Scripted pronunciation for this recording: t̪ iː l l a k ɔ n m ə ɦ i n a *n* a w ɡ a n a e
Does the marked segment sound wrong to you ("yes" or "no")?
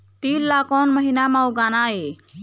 yes